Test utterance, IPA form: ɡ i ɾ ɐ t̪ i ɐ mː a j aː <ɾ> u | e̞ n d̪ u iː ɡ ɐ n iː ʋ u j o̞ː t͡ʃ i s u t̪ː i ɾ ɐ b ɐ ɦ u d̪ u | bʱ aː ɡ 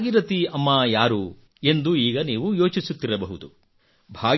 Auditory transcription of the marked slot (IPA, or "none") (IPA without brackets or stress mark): ɾ